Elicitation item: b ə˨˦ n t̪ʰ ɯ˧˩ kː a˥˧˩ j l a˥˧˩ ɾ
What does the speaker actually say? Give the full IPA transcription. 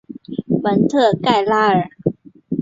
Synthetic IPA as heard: b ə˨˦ n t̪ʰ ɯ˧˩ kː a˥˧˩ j l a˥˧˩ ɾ